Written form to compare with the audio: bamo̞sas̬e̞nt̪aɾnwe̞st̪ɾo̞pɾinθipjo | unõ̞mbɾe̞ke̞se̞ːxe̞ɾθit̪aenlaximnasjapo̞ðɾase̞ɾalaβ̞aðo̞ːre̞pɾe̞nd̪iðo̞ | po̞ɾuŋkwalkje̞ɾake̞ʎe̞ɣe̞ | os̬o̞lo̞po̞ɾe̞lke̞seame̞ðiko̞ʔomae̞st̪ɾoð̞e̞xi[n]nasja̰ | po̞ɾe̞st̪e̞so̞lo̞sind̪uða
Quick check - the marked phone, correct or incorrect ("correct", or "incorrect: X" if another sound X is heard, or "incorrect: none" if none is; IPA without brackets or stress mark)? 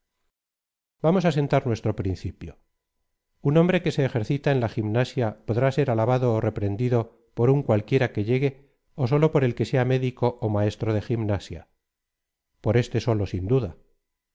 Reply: incorrect: m